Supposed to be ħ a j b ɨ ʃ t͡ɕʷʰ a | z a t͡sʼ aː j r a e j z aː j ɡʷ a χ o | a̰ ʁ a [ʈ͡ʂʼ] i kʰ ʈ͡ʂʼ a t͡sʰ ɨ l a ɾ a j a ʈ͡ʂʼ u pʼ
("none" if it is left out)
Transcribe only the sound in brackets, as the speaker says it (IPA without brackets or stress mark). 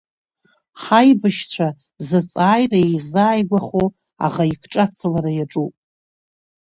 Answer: none